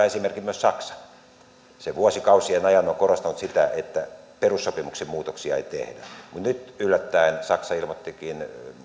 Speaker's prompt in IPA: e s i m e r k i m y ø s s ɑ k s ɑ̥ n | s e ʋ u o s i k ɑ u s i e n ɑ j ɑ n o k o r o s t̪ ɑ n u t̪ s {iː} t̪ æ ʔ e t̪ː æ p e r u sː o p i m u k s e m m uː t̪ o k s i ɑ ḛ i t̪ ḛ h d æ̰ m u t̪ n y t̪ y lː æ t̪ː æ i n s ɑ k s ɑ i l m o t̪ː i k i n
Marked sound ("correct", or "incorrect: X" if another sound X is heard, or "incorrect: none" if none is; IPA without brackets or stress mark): incorrect: i